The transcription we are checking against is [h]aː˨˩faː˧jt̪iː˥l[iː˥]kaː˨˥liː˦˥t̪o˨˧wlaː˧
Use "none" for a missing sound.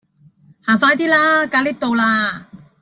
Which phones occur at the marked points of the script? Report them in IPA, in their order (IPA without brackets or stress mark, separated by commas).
h, aː˥